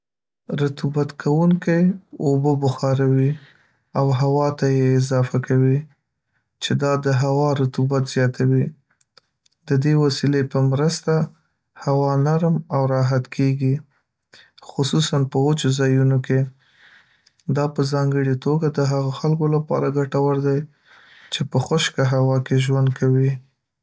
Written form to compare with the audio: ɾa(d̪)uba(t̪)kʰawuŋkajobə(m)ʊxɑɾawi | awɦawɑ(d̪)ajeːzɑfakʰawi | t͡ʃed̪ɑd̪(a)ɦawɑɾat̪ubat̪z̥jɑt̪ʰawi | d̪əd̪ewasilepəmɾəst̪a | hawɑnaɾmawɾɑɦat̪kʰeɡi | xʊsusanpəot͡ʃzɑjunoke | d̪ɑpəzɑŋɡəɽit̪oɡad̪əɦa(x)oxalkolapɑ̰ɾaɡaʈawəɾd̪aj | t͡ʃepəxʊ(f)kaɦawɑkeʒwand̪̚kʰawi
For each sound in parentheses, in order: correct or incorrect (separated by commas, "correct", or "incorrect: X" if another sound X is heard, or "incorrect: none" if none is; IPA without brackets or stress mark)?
incorrect: t̪, correct, incorrect: b, incorrect: t̪, incorrect: ə, incorrect: ɣ, incorrect: ʃ